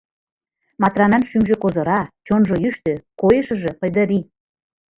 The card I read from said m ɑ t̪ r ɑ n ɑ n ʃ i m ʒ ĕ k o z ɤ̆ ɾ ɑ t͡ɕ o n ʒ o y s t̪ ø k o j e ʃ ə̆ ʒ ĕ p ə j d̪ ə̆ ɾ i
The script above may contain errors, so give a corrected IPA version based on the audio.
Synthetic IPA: m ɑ t̪ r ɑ n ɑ n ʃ y m ʒ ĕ k o z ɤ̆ ɾ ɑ t͡ɕ o n ʒ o y ʃ t̪ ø k o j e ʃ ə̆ ʒ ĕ p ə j d̪ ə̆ ɾ i